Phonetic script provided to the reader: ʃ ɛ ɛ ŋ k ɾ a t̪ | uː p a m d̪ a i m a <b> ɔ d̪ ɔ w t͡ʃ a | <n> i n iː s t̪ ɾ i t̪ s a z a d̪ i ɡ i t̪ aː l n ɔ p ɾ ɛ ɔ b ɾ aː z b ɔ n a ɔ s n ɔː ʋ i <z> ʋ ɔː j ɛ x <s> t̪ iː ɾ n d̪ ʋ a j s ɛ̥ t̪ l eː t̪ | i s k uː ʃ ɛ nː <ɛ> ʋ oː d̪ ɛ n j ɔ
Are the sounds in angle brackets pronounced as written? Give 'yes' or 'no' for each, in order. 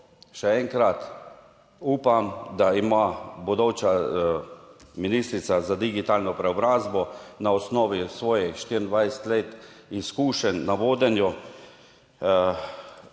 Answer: yes, no, no, no, no

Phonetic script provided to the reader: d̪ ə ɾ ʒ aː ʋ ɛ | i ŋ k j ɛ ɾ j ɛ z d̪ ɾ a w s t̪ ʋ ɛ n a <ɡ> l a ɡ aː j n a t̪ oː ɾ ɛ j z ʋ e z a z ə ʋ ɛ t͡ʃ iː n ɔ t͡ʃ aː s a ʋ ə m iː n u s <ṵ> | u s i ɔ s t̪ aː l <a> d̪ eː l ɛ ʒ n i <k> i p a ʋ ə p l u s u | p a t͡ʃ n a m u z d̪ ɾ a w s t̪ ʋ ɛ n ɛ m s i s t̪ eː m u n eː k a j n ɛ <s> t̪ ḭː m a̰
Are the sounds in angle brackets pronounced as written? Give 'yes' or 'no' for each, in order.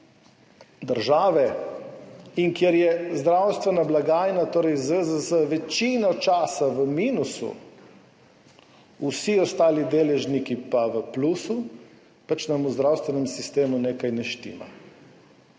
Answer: no, yes, no, yes, no

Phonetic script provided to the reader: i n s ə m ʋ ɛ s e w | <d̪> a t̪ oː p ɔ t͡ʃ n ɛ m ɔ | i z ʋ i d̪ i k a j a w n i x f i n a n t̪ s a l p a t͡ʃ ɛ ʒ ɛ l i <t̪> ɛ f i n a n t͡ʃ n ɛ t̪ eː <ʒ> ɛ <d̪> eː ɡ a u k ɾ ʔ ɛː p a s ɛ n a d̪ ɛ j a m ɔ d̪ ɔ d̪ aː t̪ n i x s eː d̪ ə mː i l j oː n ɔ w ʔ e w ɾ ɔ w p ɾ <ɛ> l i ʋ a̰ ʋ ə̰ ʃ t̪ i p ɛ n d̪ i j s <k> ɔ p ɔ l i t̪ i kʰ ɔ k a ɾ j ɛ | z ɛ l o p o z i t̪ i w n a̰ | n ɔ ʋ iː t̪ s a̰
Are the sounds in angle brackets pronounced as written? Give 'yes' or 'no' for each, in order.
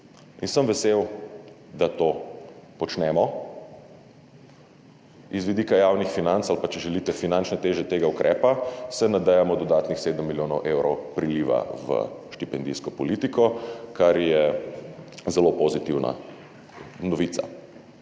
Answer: yes, yes, yes, no, no, yes

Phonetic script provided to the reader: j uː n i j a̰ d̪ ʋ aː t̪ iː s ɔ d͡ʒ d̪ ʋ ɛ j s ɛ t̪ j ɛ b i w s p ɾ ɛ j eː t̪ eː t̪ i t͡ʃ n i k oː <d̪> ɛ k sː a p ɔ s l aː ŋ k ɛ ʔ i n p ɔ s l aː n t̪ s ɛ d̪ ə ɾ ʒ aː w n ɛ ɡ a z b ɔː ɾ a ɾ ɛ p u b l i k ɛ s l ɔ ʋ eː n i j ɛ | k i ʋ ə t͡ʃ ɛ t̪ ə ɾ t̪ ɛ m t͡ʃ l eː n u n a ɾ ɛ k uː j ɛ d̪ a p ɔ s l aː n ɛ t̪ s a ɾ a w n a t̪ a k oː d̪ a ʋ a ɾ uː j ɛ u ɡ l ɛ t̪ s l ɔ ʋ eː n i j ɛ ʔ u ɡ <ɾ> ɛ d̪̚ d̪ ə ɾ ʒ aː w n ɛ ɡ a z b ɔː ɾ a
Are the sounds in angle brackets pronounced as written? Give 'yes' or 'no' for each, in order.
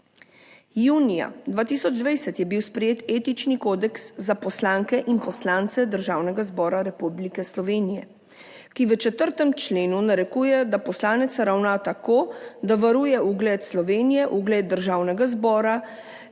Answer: yes, no

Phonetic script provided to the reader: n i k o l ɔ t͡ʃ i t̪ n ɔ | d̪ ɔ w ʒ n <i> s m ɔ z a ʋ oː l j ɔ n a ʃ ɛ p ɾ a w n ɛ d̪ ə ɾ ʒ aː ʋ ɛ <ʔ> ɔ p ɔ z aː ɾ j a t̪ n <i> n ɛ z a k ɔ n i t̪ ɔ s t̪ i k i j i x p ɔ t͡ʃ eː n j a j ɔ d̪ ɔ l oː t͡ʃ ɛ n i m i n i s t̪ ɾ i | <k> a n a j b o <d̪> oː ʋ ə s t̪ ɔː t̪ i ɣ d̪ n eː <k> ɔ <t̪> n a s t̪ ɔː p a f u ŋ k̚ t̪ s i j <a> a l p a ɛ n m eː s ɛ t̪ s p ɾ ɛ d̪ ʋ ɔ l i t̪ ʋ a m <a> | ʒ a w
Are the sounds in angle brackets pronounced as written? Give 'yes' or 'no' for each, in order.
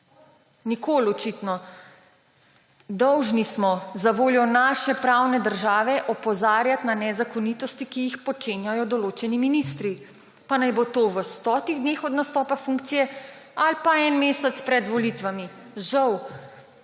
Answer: yes, yes, no, no, no, no, no, no, no

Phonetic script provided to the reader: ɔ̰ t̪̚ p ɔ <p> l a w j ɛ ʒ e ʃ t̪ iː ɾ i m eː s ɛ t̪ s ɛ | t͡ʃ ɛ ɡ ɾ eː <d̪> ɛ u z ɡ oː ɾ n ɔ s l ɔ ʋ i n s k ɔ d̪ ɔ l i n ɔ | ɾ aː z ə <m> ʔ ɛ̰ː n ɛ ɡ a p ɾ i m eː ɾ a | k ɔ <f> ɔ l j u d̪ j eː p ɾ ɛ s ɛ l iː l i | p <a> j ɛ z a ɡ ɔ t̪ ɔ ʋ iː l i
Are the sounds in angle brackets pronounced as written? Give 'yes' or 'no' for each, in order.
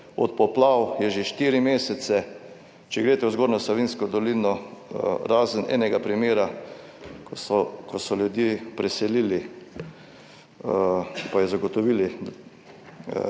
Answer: yes, no, no, no, yes

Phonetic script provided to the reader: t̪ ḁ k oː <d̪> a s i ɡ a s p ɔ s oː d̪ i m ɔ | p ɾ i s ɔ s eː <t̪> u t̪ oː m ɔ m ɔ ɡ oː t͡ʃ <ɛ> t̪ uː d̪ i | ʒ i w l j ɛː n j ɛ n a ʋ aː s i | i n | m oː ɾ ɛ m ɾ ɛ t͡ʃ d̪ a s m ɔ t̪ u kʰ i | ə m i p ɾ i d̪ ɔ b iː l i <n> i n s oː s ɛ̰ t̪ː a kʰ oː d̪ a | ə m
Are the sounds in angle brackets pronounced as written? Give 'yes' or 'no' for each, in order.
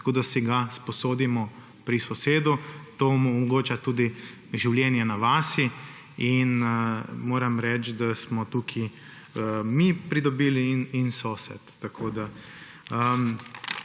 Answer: yes, no, no, yes

